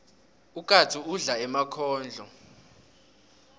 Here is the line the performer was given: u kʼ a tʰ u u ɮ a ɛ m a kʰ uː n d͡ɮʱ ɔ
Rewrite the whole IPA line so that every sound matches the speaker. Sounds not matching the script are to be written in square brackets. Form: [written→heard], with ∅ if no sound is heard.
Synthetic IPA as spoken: u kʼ a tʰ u u ɮ a ɛ m a kʰ [uː→ɔː] n d͡ɮʱ ɔ